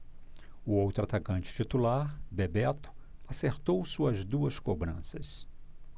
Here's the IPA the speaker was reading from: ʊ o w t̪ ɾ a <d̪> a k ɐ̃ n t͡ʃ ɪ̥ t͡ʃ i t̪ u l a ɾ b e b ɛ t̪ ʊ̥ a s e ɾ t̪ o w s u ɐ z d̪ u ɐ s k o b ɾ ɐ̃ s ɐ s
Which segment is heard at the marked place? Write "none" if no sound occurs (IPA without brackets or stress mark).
t̪